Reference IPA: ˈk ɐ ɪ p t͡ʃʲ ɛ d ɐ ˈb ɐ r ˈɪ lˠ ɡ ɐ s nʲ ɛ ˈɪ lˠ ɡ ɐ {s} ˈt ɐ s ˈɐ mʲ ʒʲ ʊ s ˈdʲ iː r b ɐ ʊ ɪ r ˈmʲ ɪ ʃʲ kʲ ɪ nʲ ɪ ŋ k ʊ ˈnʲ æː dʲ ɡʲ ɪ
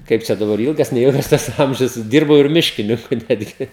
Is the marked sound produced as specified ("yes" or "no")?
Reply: yes